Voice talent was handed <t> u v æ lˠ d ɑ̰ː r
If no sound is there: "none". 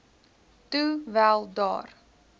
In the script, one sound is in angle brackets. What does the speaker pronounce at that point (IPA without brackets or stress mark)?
t